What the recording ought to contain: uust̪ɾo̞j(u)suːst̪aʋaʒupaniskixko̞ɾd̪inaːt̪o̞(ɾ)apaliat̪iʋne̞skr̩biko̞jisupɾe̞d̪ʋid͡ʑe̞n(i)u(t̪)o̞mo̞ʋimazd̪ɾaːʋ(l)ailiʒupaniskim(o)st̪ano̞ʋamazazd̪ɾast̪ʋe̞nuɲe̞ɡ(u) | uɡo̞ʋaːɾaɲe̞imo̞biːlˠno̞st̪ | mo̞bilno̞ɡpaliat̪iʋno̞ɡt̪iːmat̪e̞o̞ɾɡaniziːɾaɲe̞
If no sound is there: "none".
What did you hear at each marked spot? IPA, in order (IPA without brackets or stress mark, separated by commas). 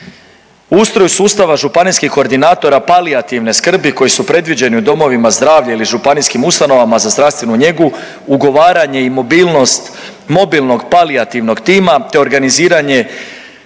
u, ɾ, i, d̪, ʎ, u, u